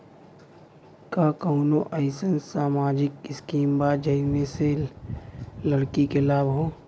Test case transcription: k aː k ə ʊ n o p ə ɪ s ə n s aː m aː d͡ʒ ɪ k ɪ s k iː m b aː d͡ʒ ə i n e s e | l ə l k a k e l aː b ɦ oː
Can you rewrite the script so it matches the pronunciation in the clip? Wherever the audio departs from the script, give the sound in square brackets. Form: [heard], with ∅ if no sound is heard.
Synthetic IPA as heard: k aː k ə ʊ n o [ʔ] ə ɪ s ə n s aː m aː d͡ʒ ɪ k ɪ s k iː m b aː d͡ʒ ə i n e s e | l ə [ɽ] k [i] k e l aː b ɦ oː